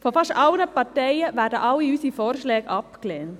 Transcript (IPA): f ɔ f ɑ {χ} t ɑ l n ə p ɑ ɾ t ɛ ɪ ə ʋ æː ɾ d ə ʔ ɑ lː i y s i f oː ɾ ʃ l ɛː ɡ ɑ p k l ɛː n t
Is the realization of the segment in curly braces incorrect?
yes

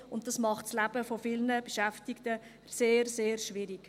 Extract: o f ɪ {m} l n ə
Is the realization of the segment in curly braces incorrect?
yes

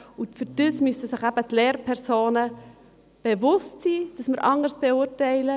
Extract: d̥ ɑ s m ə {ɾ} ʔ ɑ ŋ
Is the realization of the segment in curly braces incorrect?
no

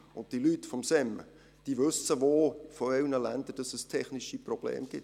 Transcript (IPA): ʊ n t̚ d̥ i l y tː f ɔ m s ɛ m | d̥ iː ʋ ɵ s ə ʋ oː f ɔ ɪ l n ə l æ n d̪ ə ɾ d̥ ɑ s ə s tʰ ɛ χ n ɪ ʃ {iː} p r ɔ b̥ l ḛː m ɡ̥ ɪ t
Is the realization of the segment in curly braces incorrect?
yes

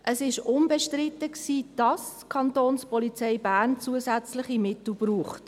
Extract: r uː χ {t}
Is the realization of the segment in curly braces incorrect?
no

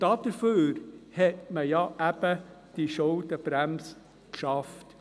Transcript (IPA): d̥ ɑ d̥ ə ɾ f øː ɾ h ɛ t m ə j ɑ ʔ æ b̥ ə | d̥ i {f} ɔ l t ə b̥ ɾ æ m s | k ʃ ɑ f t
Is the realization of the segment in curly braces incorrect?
yes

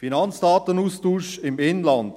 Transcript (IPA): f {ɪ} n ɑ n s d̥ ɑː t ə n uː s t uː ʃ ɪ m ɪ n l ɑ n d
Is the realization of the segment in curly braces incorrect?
yes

